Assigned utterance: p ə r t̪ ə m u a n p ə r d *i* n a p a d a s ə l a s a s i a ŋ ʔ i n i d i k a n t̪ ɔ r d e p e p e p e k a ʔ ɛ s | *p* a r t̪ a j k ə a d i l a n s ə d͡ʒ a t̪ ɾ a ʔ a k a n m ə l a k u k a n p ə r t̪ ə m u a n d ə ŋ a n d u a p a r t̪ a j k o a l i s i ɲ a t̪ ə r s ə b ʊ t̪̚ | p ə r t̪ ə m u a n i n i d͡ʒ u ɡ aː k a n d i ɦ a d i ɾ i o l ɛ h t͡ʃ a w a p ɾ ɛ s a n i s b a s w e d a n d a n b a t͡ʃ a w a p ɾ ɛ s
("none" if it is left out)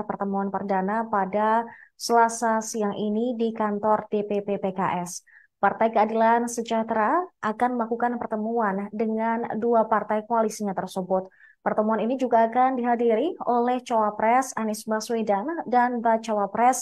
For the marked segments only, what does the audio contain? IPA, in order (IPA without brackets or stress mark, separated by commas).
a, p